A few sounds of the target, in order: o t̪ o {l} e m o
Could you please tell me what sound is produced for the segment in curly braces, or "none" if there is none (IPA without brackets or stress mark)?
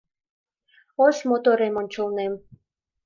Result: ɾ